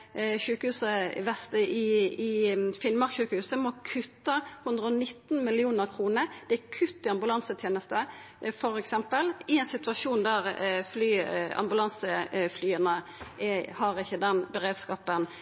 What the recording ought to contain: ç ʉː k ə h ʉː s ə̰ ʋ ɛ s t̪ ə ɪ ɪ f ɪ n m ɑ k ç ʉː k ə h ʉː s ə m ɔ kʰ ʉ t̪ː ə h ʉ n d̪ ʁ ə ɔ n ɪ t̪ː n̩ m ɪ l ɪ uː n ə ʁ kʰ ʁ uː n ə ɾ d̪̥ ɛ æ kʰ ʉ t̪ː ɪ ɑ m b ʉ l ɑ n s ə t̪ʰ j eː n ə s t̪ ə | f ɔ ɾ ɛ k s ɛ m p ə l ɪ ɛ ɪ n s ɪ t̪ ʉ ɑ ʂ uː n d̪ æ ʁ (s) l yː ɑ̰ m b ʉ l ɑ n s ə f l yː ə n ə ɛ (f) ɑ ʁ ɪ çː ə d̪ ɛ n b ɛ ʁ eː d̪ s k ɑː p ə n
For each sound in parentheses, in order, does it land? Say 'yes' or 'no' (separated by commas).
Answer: no, no